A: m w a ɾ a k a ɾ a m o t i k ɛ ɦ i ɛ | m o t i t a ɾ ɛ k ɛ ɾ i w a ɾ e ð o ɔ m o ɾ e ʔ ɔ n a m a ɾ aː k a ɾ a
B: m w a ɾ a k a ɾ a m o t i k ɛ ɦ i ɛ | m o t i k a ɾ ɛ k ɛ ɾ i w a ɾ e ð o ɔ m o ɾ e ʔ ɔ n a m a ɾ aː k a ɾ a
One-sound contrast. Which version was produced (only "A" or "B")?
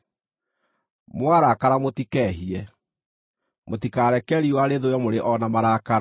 B